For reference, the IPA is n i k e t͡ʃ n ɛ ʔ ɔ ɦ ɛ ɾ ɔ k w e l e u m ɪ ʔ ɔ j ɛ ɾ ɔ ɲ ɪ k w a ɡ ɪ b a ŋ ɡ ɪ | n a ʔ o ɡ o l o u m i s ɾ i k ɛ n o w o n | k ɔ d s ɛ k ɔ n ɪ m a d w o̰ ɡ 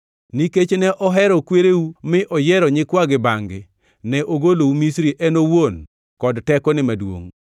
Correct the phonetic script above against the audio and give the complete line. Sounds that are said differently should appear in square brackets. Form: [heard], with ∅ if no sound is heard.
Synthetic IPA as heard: n i k e t͡ʃ n ɛ ʔ ɔ ɦ ɛ ɾ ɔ k w e [ɾ] e u m ɪ ʔ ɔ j ɛ ɾ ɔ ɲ ɪ k w a ɡ ɪ b a ŋ ɡ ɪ | n [ɛ] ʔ o ɡ o l o u m i s ɾ i [ʔ] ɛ n o w o n | k ɔ d [t] ɛ k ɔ n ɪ m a d w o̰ [ŋ]

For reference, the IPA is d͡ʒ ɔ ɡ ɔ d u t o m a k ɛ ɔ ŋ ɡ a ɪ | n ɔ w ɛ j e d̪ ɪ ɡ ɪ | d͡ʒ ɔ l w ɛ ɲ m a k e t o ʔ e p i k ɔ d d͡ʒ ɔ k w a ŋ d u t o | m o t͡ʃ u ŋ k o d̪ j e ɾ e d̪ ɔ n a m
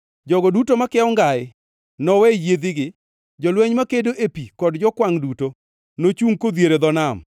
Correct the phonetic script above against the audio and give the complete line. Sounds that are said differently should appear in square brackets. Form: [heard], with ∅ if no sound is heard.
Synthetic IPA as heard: d͡ʒ ɔ ɡ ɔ d u t o m a k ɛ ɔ ŋ ɡ a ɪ | n ɔ w ɛ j e d̪ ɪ ɡ ɪ | d͡ʒ ɔ l w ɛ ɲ m a k e [d] o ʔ e p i k ɔ d d͡ʒ ɔ k w a ŋ d u t o | [n] o t͡ʃ u ŋ k o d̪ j e ɾ e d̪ ɔ n a m

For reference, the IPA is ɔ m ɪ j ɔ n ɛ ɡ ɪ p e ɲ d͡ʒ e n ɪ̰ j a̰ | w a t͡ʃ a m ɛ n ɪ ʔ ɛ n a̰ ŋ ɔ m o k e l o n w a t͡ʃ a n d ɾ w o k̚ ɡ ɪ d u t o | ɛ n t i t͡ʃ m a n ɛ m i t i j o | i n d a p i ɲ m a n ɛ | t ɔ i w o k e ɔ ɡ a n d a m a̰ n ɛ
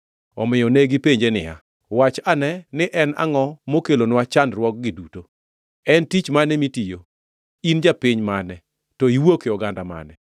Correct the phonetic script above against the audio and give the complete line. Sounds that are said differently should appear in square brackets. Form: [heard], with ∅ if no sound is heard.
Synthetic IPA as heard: ɔ m ɪ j ɔ n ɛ ɡ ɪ p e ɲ d͡ʒ e n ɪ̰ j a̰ | w a t͡ʃ a [n] ɛ n ɪ ʔ ɛ n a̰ ŋ ɔ m o k e l o n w a t͡ʃ a n d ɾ w [ɔ] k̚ ɡ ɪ d u t o | ɛ n t i t͡ʃ m a n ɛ m i t i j o | i n [d͡ʒ] a p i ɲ m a n ɛ | t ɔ i w o k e ɔ ɡ a n d a m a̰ n ɛ

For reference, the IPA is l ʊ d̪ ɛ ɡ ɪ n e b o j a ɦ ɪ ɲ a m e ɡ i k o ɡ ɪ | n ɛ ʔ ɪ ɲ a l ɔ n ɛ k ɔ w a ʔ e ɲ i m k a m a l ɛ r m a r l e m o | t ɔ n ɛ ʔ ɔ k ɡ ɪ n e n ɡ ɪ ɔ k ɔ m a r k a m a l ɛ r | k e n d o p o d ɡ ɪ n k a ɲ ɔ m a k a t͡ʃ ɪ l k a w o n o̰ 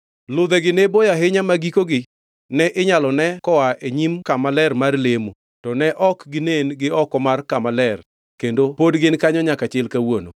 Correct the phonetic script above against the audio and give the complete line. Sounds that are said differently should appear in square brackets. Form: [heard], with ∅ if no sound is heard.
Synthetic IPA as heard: l ʊ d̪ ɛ ɡ ɪ n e b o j a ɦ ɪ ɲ a m [a] ɡ i k o ɡ ɪ | n ɛ ʔ ɪ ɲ a l ɔ n ɛ k ɔ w a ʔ e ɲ i m k a m a l ɛ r m a r l e m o | t ɔ n ɛ ʔ ɔ k ɡ ɪ n e n ɡ ɪ ɔ k ɔ m a r k a m a l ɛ r | k e n d o p o d ɡ ɪ n k a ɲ ɔ [ɲ] a k a t͡ʃ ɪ l k a w o n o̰

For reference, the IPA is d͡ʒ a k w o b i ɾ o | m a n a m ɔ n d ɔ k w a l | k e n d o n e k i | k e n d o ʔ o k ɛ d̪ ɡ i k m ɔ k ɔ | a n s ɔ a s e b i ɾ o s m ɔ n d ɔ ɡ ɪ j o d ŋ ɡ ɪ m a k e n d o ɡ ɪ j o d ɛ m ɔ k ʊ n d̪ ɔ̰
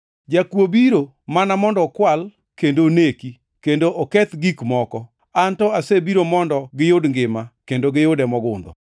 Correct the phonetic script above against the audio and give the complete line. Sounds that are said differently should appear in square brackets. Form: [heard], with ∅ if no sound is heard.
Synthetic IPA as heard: d͡ʒ a k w o b i ɾ o | m a n a m ɔ n d ɔ k w a l | k e n d o n e k i | k e n d o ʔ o k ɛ [t̪] ɡ i k m ɔ k ɔ | a n [t] ɔ a s e b i ɾ o [∅] m ɔ n d ɔ ɡ ɪ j o d ŋ ɡ ɪ m a k e n d o ɡ ɪ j o d ɛ m ɔ [ɡ] ʊ n d̪ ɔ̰

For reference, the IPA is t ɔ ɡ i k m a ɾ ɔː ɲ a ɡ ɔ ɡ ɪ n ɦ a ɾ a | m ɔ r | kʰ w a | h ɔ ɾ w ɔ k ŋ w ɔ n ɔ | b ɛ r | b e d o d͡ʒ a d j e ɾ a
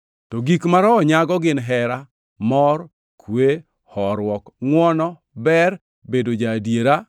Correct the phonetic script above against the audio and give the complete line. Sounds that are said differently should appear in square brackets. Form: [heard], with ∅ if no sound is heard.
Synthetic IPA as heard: t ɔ ɡ i k m a ɾ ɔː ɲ a ɡ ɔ ɡ ɪ n ɦ [ɛ] ɾ a | m ɔ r | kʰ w [e] | h ɔ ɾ w ɔ k ŋ w ɔ n ɔ | b ɛ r | b e d o d͡ʒ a d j e ɾ a

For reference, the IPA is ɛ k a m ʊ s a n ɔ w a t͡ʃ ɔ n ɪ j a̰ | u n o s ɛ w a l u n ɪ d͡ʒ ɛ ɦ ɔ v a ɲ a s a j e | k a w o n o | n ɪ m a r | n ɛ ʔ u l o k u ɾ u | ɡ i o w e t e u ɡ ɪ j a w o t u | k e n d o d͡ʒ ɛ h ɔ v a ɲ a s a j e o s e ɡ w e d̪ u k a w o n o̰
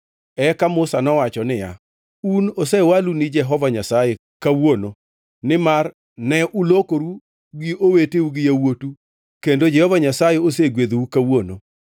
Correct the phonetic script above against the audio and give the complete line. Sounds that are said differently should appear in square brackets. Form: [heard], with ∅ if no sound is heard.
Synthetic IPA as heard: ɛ k a m ʊ s a n ɔ w a t͡ʃ ɔ n ɪ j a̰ | u n o s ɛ w a l u n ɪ d͡ʒ ɛ ɦ ɔ v a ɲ a s a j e | k a w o n o | n ɪ m a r | n ɛ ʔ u l o k [o] ɾ u | ɡ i o w e t e u ɡ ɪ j a w o t u | k e n d o d͡ʒ ɛ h ɔ v a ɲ a s a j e o s e ɡ w e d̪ u k a w o n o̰

